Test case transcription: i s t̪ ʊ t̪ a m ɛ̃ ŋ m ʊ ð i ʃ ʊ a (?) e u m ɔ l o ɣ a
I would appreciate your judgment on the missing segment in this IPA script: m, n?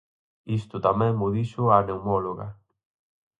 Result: n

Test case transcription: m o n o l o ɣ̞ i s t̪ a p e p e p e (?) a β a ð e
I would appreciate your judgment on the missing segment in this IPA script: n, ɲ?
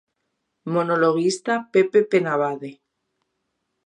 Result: n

